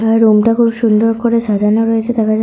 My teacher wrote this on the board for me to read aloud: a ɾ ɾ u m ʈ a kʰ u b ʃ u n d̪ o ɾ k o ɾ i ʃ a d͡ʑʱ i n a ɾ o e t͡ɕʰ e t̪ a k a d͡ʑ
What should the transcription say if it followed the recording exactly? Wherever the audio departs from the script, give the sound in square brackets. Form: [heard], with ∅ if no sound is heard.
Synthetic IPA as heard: a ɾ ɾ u m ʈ a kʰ u b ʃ u n d̪ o ɾ k o ɾ [e] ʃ a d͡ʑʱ [a] n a ɾ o e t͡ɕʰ e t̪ a k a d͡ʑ